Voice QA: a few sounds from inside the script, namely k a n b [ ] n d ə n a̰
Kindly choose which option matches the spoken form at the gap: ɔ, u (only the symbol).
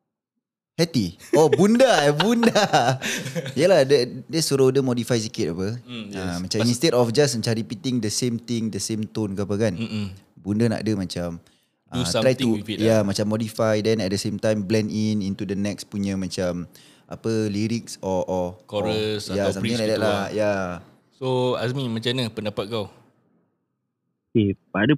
u